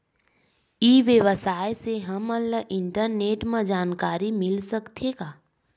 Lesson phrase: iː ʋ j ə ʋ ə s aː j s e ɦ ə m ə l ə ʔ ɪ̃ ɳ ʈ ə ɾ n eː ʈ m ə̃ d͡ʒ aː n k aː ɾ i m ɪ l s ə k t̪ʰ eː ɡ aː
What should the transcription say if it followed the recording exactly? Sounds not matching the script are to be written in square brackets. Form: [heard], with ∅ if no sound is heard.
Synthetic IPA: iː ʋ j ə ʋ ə s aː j s e ɦ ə m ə l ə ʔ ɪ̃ ɳ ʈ ə ɾ n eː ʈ m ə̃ d͡ʒ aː n k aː ɾ i m ɪ l s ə k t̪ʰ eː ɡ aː